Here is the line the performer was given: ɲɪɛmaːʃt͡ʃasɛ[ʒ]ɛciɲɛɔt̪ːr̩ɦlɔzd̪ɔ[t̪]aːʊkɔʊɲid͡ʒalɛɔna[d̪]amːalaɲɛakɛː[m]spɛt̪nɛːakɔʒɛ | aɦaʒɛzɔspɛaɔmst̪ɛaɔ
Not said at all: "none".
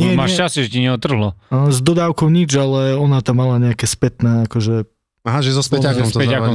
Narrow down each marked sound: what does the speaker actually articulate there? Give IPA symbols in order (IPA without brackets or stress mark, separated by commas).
ʒ, d̪, t̪, none